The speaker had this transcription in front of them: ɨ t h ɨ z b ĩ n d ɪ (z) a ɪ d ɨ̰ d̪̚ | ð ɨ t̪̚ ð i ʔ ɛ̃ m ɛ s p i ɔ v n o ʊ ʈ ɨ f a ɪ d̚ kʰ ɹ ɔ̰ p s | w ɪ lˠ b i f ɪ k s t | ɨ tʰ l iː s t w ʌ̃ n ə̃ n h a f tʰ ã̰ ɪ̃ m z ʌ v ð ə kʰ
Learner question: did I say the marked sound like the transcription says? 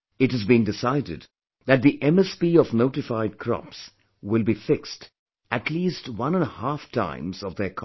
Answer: no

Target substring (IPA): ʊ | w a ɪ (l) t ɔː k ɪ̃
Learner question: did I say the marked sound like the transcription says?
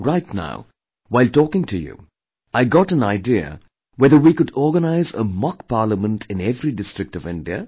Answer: yes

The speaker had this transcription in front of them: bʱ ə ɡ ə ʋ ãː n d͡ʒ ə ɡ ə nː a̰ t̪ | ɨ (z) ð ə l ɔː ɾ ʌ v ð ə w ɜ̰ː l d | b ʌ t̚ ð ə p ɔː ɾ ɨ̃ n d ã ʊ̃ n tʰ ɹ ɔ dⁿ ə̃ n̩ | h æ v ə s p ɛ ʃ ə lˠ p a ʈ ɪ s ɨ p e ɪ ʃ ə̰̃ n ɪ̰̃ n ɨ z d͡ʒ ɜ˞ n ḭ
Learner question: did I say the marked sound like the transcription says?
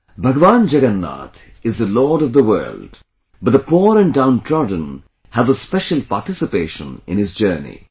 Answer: yes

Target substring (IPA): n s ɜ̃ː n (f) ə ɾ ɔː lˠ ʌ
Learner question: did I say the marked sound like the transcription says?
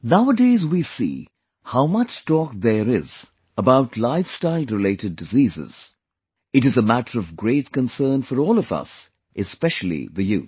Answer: yes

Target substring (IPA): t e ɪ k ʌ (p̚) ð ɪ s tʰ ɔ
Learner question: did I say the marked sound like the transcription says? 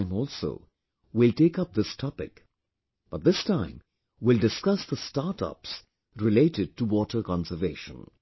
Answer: yes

